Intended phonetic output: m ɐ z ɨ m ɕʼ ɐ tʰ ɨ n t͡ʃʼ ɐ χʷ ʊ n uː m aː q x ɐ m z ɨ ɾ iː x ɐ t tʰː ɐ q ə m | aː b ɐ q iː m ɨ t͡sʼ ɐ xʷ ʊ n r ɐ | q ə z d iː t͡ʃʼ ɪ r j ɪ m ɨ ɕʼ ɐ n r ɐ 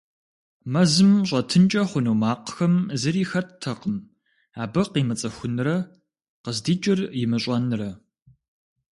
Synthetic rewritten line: m ɐ z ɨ m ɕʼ ɐ tʰ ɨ n t͡ʃʼ ɐ χʷ ʊ n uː m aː q x ɐ m z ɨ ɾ iː x ɐ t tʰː ɐ q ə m | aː b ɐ q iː m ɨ t͡sʼ ɐ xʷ ʊ n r ɐ | q ə z d iː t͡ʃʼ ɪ r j ɪ m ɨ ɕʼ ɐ n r ɐ